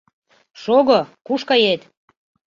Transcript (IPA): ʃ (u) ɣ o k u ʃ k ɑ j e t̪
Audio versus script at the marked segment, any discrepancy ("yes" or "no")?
yes